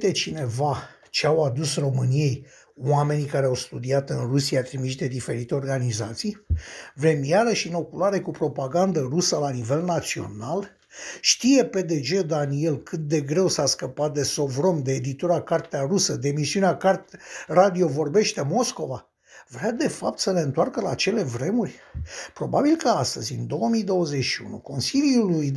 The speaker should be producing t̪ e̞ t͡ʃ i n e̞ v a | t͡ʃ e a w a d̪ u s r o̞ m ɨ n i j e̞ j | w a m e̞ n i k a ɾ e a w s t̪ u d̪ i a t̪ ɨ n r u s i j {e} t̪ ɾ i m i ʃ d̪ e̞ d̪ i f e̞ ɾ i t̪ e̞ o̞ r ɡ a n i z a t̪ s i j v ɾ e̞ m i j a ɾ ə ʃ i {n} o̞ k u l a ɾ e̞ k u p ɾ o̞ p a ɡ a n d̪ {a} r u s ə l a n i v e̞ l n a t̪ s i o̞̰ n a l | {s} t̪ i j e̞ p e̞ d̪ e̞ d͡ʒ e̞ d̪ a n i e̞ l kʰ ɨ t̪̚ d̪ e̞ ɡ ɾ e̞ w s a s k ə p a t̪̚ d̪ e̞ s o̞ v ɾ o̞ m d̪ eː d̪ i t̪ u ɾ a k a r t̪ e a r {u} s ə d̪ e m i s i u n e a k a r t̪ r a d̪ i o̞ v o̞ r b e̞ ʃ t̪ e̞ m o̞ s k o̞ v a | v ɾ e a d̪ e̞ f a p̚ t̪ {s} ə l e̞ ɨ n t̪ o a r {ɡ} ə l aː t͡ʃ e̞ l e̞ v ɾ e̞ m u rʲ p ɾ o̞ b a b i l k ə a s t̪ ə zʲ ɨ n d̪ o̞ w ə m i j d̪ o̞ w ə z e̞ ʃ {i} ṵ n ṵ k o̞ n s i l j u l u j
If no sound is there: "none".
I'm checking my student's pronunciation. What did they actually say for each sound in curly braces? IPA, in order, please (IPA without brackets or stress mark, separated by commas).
a, n, ə, ʃ, u, s, k, i